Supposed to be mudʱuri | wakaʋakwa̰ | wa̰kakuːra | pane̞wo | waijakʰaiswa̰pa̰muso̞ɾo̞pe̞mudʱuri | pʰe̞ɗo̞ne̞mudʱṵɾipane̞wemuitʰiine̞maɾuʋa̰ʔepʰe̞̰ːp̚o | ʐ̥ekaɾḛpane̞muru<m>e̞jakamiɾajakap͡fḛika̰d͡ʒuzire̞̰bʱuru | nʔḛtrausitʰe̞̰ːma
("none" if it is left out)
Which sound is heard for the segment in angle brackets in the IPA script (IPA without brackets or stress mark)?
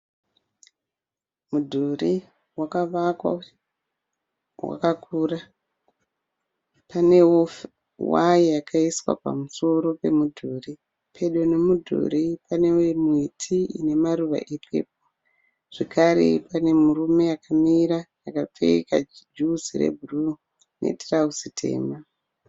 m